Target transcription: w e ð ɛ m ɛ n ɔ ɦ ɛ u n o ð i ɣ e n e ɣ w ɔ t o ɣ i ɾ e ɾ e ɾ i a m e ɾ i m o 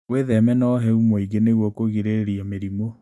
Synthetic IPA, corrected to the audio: w e ð ɛ m ɛ n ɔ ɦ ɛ u m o i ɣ e n e ɣ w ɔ k o ɣ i ɾ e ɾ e ɾ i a m e ɾ i m o